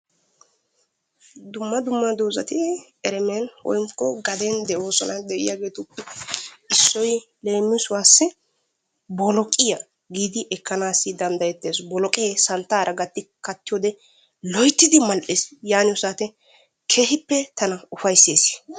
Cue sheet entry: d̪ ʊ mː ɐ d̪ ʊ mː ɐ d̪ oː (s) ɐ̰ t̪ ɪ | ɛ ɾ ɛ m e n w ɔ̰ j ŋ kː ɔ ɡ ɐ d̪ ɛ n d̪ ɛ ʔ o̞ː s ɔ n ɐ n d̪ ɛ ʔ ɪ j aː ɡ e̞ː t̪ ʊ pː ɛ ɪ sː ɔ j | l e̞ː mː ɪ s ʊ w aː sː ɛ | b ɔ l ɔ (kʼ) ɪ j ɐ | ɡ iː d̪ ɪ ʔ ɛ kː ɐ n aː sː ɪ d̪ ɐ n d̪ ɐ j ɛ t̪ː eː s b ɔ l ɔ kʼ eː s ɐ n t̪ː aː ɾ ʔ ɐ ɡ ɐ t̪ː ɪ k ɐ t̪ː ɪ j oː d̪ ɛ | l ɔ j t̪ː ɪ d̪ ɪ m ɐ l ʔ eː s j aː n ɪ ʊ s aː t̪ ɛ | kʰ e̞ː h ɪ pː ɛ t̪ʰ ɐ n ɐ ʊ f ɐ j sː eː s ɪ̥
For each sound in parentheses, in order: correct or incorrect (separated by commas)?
incorrect, correct